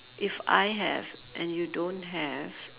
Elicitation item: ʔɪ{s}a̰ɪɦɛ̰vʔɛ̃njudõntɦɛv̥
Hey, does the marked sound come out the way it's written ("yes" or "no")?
no